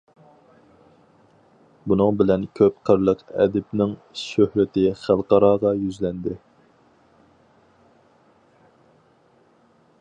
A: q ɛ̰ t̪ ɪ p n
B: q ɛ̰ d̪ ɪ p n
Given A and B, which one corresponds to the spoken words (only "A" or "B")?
B